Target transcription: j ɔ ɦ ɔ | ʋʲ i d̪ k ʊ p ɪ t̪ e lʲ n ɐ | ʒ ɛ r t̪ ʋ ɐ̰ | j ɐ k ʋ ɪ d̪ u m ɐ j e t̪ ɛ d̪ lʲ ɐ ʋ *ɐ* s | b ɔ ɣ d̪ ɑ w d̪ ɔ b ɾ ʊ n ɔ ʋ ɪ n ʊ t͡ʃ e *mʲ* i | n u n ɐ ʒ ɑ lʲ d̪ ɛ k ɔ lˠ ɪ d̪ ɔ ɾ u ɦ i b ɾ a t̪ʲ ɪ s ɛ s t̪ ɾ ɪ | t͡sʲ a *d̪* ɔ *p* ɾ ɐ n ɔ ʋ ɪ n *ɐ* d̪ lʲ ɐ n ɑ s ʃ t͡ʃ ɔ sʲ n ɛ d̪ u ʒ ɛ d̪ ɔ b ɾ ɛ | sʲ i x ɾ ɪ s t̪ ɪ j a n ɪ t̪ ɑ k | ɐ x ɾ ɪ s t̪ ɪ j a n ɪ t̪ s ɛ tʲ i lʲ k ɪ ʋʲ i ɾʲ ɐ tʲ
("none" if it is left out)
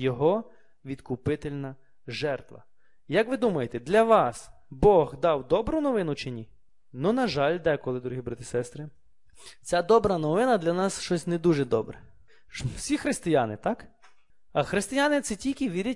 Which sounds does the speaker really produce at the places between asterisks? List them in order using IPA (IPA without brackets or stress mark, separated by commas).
ɑ, nʲ, d̪, b, ɐ